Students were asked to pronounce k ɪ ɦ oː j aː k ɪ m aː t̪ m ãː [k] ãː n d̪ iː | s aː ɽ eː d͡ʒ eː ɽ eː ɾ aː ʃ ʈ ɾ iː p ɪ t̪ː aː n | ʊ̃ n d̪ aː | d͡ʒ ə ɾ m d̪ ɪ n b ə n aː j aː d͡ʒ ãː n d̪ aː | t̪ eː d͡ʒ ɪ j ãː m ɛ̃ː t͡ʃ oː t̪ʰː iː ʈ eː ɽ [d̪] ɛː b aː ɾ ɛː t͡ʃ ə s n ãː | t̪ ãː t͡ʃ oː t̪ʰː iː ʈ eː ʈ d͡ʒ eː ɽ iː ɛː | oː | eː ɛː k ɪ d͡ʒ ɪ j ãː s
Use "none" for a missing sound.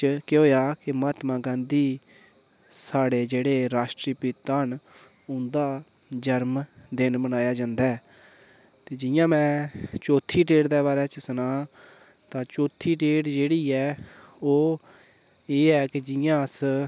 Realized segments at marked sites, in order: ɡ, d̪

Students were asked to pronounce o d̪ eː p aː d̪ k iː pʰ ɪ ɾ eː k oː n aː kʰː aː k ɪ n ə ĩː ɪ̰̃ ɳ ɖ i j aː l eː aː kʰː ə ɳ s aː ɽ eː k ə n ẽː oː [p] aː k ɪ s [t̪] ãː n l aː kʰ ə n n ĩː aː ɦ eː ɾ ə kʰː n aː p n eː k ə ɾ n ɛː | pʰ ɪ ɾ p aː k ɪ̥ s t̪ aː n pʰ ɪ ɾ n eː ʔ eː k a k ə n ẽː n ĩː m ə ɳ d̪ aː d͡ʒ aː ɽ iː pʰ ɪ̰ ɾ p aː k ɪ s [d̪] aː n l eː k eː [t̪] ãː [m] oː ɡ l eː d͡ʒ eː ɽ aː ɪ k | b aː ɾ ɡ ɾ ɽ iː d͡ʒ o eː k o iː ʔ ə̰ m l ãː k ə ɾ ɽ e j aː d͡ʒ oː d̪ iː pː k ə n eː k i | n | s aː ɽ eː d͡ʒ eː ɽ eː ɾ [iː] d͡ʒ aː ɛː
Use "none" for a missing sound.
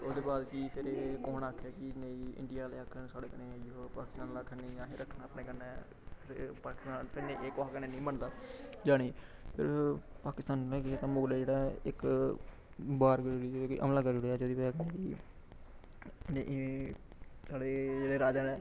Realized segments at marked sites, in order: p, t̪, t̪, t̪, m, aː

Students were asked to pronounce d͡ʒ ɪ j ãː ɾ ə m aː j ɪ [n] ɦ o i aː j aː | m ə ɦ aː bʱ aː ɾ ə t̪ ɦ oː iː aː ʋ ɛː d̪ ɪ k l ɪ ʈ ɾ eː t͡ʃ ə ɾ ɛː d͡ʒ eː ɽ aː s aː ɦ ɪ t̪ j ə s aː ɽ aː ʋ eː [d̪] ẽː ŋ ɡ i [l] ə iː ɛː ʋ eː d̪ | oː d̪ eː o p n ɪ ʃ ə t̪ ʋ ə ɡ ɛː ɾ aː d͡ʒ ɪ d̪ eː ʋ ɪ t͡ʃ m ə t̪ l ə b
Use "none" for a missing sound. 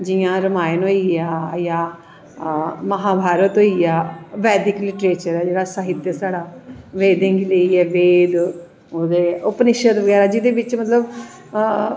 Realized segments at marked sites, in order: n, d̪, l

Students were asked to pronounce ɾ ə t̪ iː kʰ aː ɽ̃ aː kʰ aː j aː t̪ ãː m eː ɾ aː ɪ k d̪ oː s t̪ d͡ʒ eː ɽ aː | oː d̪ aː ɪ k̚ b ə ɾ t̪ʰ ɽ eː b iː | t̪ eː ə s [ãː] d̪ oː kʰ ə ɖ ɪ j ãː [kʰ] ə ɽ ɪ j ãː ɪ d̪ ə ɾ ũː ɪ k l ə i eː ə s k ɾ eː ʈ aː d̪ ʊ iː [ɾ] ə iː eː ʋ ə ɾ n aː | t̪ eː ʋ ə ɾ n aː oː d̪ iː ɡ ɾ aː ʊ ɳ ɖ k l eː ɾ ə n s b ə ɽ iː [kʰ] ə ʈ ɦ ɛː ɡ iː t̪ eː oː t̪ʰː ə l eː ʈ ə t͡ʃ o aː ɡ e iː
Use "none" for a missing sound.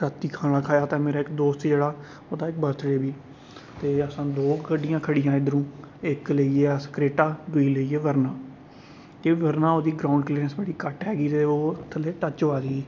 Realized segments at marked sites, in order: ãː, kʰ, l, k

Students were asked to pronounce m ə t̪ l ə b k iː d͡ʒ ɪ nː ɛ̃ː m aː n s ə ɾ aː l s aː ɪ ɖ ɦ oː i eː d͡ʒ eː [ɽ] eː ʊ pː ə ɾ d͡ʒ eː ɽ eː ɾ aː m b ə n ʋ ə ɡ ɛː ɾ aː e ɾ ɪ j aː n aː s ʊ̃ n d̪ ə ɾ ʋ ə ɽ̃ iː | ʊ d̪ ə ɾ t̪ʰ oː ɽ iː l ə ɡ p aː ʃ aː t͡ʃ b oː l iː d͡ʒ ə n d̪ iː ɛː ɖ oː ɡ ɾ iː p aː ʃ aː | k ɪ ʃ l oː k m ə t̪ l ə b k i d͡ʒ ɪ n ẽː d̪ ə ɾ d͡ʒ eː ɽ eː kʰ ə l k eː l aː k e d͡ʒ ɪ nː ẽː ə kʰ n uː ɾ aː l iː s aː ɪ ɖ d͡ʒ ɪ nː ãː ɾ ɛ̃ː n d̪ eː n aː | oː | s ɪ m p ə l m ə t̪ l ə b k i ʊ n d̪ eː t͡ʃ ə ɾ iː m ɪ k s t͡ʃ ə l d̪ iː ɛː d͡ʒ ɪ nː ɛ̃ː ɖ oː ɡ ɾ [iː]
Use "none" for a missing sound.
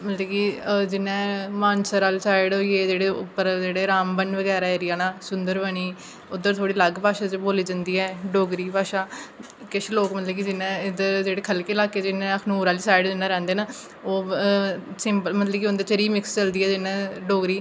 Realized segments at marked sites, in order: ɽ, iː

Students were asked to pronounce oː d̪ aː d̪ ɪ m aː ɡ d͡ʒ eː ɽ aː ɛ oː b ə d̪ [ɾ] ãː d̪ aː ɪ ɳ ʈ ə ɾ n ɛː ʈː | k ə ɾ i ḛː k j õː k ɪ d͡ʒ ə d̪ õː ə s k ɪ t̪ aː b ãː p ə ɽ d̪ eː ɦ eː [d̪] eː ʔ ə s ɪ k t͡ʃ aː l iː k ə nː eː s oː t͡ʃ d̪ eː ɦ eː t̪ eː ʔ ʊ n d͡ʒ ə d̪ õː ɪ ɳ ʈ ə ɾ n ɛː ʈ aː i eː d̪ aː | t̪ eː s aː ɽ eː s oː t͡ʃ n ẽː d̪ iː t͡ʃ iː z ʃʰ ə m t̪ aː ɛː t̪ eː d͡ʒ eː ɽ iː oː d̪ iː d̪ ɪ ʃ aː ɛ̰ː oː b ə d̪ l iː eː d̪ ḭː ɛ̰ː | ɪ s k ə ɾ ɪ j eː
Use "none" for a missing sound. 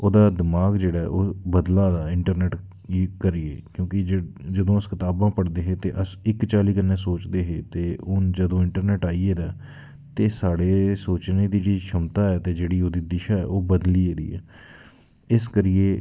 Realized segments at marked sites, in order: l, t̪

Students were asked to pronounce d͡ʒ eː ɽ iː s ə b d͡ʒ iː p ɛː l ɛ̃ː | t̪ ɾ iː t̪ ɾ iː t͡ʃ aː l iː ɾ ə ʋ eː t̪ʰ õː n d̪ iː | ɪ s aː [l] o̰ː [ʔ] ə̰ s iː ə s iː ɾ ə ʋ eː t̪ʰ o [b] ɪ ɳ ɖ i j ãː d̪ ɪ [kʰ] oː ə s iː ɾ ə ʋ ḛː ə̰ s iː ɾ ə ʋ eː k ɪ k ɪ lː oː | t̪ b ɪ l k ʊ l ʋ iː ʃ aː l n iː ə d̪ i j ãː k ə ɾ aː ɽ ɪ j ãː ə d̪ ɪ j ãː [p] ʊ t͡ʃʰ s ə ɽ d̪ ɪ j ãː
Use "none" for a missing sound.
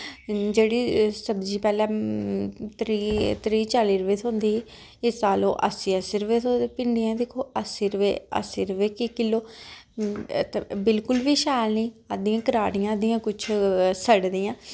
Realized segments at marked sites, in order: l, ʔ, p, kʰ, k

